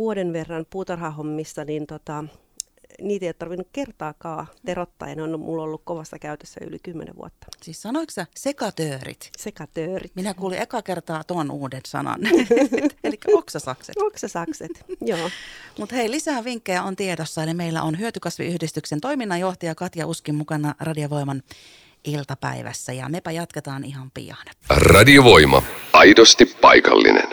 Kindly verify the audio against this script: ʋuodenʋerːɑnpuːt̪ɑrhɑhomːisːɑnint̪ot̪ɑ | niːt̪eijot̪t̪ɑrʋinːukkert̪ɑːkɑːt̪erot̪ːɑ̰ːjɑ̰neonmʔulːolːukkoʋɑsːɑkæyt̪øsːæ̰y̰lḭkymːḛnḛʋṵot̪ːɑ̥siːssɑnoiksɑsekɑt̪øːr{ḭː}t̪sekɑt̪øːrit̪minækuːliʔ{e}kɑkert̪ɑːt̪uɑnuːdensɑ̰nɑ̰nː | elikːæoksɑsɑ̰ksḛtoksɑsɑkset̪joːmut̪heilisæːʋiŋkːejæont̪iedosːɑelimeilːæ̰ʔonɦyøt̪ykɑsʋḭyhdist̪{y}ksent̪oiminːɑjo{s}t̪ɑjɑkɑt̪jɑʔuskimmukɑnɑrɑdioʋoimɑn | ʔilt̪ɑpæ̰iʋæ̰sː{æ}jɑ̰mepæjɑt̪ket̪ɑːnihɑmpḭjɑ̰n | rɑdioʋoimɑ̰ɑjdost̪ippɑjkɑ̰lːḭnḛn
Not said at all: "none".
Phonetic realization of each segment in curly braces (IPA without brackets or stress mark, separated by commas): ḭ, e, y, h, æ